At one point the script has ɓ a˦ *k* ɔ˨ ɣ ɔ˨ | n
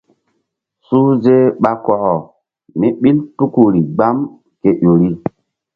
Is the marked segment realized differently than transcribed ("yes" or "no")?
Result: no